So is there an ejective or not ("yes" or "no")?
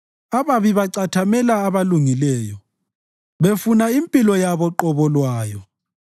yes